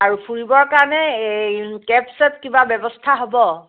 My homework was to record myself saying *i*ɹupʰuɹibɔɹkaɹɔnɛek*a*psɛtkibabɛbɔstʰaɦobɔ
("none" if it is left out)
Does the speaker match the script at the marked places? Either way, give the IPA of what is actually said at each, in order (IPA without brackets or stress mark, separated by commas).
a, ɛ